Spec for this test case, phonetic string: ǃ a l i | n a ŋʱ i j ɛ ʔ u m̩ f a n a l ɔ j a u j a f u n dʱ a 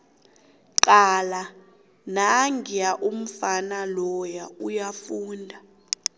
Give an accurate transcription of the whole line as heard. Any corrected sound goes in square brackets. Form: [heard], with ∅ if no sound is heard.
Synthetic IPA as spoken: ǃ a l [a] | n a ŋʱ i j [a] ʔ u m̩ f a n a l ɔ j a u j a f [uː] n dʱ a

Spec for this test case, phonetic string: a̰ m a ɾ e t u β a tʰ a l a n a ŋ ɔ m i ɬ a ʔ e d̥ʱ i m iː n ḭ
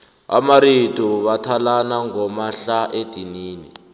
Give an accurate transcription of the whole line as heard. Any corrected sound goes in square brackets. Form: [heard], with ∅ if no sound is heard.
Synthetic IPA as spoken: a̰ m a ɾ [i] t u β a tʰ a l a n a ŋ ɔ m [a] ɬ a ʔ e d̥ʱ i [n] iː n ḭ

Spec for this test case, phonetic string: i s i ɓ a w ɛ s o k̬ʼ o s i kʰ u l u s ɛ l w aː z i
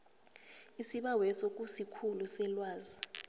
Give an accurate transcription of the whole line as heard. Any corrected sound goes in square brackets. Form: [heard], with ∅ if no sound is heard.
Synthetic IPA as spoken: i s i ɓ a w ɛ s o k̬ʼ [u] s i kʰ u l u s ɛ l w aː z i

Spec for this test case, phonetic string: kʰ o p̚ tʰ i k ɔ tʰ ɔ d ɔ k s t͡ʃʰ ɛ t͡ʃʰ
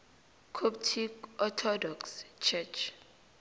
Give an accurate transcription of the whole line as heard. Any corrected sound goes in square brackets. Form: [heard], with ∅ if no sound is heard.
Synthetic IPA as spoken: kʰ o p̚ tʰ i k ɔ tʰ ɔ d ɔ k s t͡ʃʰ ɛ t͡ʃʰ

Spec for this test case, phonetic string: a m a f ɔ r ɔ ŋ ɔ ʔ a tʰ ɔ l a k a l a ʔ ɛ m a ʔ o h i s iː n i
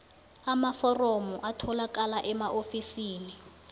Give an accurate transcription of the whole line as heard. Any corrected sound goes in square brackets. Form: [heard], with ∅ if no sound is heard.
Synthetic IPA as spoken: a m a f ɔ r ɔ [m] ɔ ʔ a tʰ ɔ l a k a l a ʔ ɛ m a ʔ o [f] i s iː n i

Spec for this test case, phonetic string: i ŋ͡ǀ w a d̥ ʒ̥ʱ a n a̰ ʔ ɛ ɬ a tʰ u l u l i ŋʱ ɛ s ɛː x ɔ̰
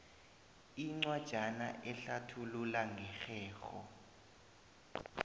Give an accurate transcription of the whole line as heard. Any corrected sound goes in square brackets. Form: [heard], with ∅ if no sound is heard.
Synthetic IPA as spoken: i ŋ͡ǀ w a d̥ ʒ̥ʱ a n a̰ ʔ ɛ ɬ a tʰ u l u l [a] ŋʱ ɛ [x] ɛː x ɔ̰

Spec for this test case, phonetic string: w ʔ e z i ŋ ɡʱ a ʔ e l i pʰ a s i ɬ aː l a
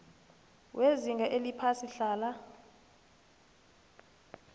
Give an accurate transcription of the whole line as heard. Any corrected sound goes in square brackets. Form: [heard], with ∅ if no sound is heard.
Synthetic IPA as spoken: w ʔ e z i ŋ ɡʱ a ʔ e l i pʰ a s i ɬ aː l a

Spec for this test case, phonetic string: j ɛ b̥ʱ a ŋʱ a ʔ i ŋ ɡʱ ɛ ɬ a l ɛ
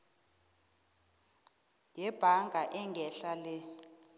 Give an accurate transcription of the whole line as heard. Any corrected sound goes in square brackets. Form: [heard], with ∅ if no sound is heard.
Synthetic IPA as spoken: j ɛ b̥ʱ a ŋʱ a ʔ [ɛ] ŋ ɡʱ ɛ ɬ a l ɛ

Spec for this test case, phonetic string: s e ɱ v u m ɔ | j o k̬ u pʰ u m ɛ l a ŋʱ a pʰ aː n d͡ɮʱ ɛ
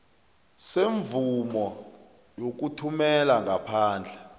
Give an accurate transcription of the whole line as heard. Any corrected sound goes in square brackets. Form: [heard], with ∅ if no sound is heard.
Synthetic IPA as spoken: s e ɱ v u m ɔ | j o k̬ u [tʰ] u m ɛ l a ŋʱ a pʰ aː n d͡ɮʱ ɛ

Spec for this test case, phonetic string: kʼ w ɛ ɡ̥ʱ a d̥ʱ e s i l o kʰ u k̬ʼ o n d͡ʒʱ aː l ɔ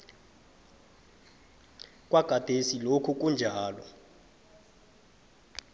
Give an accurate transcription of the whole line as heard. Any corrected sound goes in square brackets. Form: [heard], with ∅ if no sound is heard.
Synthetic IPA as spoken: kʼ w [a] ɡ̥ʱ a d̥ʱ e s i l o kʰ u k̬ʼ [u] n d͡ʒʱ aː l ɔ

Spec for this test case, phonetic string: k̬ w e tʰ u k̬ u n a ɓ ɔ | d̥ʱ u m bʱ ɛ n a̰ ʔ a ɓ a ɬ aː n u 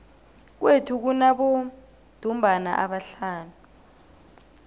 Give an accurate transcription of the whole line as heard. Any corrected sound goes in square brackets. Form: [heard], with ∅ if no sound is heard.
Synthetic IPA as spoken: k̬ w e tʰ u k̬ u n a ɓ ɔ | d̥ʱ u m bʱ [a] n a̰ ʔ a ɓ a ɬ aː n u

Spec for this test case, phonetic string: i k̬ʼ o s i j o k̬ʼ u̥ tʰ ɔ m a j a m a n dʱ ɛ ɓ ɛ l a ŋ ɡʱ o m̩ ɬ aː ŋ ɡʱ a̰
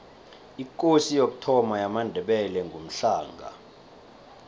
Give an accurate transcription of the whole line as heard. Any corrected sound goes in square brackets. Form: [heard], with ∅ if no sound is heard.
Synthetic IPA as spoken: i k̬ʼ o s i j o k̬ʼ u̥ tʰ ɔ m a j a m a n dʱ ɛ ɓ ɛ l [ɛ] ŋ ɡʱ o m̩ ɬ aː ŋ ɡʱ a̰

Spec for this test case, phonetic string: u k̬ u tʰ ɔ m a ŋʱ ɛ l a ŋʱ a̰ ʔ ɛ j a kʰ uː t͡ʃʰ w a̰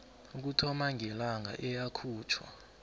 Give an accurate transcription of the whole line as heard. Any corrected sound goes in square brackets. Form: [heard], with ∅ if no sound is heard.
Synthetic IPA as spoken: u k̬ u tʰ ɔ m a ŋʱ ɛ l a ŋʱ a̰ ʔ ɛ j a kʰ uː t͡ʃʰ w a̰

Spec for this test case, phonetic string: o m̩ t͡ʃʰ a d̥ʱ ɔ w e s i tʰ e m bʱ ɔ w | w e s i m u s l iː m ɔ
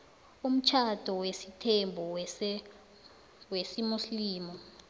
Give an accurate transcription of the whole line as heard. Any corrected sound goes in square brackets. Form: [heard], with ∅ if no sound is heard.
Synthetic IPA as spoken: [u] m̩ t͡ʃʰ a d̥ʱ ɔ w e s i tʰ e m bʱ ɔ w | w e s i m u s l iː m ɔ

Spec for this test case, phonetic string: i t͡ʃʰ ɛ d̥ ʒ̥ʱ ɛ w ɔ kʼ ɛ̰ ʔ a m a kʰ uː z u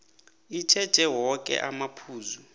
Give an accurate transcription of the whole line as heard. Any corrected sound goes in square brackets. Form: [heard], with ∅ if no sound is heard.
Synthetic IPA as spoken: i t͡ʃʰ ɛ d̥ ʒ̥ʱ ɛ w ɔ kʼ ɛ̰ ʔ a m a [pʰ] uː z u

